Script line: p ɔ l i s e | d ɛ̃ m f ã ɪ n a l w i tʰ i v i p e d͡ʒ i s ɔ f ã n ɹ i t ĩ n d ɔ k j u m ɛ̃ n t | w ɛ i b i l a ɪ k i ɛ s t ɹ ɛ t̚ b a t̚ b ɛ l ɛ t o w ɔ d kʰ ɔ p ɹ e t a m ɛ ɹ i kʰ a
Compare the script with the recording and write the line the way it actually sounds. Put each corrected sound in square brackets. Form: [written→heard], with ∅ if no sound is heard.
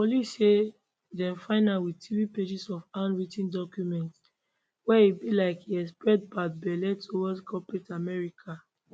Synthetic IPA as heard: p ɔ l i s e | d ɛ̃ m f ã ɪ n a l w i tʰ i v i p e d͡ʒ i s ɔ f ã n ɹ i t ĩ n d ɔ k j u m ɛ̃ n t | w ɛ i b i l a ɪ k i ɛ s [t→p] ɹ ɛ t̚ b a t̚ b ɛ l ɛ t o w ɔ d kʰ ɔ p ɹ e t a m ɛ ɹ i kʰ a